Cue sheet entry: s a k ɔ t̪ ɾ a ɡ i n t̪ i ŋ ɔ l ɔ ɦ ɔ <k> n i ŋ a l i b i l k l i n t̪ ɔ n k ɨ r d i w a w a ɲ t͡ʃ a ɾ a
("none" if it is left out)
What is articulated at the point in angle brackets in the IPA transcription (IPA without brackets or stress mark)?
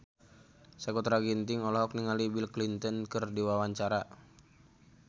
k